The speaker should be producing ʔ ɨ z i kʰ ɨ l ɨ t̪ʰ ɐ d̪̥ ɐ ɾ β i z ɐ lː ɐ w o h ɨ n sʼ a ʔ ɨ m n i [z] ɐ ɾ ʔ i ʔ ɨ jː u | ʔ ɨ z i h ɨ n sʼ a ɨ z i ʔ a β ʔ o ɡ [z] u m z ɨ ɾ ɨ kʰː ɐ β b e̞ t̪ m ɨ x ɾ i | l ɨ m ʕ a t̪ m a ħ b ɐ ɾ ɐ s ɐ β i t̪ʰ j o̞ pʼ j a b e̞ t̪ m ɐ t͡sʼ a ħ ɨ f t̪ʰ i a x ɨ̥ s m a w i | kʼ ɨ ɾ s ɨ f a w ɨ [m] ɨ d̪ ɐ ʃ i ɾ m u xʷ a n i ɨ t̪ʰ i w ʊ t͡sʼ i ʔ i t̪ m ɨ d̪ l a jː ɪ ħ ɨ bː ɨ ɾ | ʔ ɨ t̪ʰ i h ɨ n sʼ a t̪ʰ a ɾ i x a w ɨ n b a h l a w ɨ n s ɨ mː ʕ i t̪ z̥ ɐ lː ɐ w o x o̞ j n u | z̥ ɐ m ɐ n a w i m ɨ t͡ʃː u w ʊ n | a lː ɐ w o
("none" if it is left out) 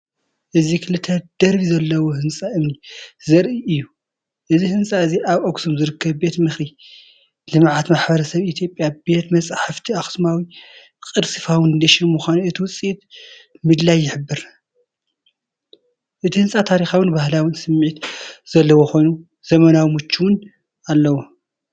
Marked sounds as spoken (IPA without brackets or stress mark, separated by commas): z, s, n